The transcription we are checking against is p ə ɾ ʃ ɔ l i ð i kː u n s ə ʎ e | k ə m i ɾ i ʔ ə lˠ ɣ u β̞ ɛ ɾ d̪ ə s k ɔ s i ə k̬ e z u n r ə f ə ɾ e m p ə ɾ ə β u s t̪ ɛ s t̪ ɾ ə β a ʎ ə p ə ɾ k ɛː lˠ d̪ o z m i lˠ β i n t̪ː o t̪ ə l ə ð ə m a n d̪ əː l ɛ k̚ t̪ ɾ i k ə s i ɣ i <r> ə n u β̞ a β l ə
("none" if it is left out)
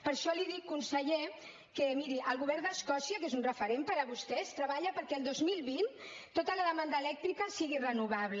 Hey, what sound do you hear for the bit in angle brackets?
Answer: r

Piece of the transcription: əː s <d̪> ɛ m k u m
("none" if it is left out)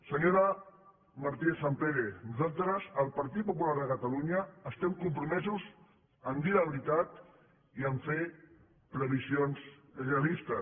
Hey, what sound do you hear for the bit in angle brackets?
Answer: t̪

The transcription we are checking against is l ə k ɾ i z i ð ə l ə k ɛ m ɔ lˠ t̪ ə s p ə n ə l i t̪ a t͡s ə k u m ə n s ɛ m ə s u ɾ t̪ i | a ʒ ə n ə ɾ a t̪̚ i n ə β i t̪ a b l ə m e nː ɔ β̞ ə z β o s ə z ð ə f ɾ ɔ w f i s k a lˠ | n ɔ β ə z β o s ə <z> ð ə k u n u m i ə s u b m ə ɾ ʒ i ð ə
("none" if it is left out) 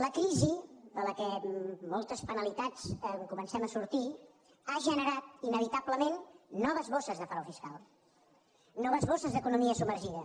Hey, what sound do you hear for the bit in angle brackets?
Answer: z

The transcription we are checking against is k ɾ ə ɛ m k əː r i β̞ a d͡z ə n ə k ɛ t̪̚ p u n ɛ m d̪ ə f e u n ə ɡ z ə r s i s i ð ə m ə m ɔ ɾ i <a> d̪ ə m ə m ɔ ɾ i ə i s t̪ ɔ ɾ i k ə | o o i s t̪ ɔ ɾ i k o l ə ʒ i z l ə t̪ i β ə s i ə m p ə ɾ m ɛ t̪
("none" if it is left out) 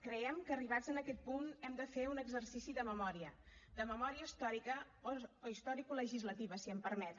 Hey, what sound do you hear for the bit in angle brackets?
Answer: ə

